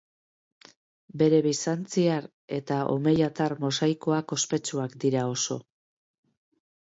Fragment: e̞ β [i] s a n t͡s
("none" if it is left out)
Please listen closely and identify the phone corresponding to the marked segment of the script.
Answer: i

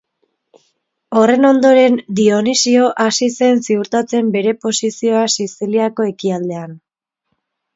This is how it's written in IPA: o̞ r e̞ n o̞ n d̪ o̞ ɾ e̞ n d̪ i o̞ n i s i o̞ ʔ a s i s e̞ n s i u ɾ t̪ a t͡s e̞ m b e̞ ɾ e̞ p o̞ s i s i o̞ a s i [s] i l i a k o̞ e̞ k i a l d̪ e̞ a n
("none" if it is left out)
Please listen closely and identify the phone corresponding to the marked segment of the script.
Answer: s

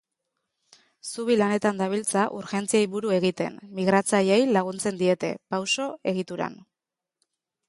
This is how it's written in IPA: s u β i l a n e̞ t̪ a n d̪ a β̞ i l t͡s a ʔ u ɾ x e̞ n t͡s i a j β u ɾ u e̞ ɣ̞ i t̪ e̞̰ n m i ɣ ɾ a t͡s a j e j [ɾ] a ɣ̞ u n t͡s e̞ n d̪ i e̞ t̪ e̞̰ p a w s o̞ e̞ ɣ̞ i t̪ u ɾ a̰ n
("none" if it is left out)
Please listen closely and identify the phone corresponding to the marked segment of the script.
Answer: l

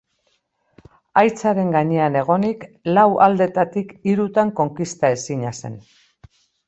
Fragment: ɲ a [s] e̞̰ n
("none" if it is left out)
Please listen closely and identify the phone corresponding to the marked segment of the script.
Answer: s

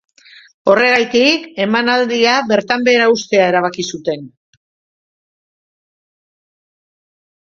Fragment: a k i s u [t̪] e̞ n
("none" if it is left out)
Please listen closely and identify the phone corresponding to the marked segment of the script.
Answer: t̪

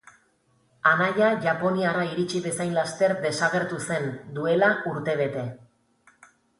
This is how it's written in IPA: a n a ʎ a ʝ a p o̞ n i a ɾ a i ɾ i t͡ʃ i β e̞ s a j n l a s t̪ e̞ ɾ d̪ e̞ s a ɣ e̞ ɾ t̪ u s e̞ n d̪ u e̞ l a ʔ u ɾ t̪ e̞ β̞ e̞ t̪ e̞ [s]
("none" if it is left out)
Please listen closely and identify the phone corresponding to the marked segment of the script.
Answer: none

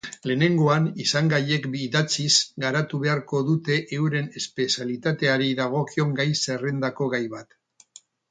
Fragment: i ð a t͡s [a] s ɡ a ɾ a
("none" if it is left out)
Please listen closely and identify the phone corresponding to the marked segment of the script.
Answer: i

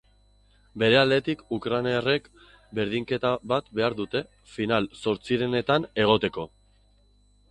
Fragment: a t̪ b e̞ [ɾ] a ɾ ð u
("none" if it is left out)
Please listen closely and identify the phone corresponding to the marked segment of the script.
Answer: none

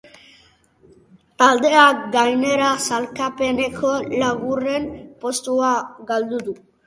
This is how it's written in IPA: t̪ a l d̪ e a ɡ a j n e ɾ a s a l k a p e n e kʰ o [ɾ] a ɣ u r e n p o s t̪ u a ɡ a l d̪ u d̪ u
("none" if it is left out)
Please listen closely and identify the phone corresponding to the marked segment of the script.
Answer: l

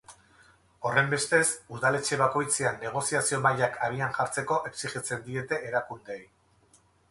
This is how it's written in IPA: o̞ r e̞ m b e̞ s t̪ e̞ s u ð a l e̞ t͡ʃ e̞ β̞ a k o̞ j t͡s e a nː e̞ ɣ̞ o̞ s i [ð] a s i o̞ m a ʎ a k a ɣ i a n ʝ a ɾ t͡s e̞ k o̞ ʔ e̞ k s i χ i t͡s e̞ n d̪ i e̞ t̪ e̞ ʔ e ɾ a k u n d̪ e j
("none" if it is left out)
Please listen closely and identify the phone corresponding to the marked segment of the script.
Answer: none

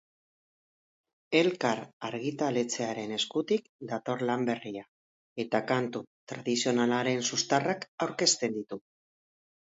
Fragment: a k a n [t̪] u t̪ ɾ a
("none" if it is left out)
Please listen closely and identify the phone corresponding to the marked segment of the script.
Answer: t̪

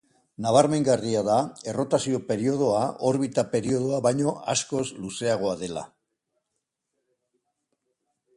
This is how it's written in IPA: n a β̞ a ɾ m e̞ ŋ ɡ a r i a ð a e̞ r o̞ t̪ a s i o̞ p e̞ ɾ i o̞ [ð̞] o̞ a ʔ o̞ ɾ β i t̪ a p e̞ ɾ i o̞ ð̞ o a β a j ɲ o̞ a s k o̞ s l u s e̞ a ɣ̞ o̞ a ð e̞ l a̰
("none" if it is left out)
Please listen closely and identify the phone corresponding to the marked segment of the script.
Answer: ð̞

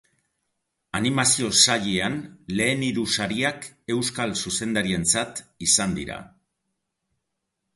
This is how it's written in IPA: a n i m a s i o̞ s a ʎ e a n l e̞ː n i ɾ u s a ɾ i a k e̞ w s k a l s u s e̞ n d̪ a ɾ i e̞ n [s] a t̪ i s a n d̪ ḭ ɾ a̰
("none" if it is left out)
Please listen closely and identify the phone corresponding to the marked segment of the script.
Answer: t͡s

